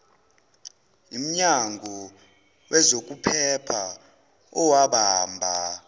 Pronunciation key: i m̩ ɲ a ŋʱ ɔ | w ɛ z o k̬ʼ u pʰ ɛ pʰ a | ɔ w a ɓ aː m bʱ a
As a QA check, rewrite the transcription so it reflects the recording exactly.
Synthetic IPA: i m̩ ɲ a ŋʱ ɔ | w ɛ z o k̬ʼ u pʰ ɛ pʰ a | ɔ w a ɓ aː m bʱ a